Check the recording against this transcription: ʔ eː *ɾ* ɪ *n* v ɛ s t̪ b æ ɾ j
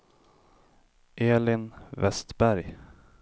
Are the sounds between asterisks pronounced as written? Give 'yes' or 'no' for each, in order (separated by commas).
no, yes